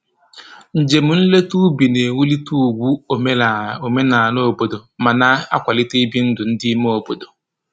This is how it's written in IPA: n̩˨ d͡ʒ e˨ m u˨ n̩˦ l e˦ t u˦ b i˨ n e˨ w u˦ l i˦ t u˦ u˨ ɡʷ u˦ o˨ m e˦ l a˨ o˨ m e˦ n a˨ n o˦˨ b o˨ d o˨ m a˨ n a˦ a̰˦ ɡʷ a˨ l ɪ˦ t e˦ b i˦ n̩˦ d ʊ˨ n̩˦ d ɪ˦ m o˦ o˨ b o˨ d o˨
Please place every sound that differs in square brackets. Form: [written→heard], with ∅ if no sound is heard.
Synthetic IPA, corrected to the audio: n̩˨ d͡ʒ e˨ m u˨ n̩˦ l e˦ t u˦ b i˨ n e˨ w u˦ l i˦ t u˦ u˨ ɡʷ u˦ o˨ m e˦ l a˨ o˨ m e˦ n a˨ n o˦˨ b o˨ d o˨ m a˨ n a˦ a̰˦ [ɡʷ→kʷ] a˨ l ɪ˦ t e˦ b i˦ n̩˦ d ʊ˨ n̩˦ d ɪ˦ m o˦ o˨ b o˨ d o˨